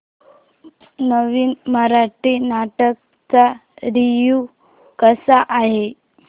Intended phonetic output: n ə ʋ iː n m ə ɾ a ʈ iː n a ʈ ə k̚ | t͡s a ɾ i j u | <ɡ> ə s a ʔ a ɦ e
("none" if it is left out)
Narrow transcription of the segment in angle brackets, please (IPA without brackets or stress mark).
k